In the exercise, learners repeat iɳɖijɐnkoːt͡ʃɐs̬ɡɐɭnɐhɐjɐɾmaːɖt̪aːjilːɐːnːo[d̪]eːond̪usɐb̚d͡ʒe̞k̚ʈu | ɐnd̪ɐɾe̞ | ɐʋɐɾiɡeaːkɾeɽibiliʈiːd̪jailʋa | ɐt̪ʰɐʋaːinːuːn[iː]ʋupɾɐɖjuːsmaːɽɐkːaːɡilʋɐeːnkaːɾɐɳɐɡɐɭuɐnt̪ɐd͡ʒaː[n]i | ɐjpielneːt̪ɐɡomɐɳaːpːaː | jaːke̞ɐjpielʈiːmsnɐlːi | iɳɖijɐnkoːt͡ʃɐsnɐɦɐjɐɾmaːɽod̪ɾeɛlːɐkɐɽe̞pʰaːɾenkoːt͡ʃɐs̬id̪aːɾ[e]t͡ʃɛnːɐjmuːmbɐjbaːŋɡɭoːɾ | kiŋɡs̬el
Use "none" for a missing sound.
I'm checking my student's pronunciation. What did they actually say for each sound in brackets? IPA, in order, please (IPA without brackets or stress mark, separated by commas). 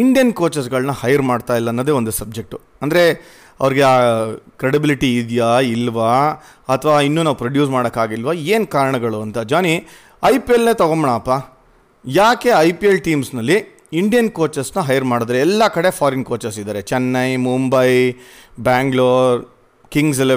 d̪, aː, n, e